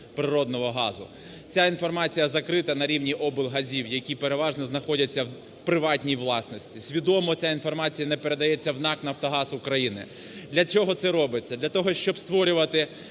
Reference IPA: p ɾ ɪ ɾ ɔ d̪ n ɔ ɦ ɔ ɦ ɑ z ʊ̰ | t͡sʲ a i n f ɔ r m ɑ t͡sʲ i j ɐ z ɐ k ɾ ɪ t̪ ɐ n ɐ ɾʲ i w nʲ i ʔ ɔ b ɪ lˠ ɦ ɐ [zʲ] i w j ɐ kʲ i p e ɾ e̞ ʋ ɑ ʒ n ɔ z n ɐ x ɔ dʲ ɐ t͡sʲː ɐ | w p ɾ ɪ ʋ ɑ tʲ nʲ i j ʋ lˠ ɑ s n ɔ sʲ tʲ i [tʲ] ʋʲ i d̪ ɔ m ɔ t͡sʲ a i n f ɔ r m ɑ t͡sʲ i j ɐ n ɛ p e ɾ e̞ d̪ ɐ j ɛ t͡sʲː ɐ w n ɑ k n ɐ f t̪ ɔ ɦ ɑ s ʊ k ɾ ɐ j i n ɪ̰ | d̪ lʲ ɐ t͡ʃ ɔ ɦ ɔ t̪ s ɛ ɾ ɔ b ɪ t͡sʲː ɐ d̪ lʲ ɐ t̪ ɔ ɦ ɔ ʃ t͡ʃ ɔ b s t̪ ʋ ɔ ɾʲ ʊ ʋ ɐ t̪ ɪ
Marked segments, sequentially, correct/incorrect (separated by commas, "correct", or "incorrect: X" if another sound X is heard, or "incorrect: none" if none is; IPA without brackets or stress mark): correct, incorrect: sʲ